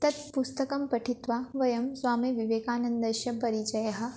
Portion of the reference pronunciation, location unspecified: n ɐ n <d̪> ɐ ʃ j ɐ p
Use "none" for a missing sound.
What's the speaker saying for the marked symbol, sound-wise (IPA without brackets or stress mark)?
d̪